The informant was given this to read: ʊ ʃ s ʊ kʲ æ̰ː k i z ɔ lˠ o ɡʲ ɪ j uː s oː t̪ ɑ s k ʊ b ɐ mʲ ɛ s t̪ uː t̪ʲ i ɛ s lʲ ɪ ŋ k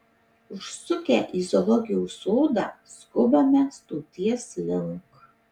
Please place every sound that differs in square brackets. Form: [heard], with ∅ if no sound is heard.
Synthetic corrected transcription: ʊ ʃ s ʊ kʲ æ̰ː [ʔ] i z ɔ lˠ [ɔ] ɡʲ ɪ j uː s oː [d̪] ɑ s k ʊ b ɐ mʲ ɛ s t̪ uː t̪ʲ i ɛ s lʲ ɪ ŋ k